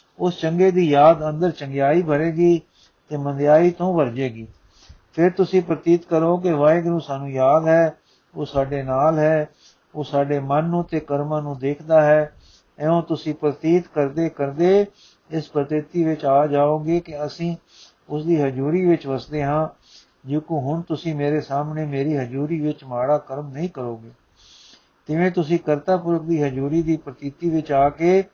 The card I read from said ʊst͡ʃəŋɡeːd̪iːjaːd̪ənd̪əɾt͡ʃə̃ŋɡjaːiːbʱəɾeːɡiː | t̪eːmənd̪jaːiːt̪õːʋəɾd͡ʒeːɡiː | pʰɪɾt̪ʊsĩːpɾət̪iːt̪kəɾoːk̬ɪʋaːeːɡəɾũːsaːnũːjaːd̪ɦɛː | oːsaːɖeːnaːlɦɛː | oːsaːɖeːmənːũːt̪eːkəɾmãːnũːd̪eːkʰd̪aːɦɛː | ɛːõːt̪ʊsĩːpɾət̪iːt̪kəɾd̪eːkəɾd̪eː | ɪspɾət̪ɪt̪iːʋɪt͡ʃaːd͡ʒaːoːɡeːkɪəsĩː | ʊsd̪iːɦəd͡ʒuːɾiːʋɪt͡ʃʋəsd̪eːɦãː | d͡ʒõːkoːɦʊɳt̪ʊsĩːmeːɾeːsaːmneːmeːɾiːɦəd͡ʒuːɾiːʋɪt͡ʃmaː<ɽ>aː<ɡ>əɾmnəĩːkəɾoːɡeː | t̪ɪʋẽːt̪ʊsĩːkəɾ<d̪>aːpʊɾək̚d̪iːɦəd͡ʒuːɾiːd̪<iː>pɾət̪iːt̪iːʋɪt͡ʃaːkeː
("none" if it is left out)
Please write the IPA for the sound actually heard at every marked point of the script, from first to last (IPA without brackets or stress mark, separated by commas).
ɽ, k, t̪, iː